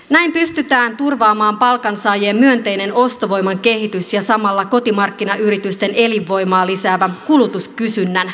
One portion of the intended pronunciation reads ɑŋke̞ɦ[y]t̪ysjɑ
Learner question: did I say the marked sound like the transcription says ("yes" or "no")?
no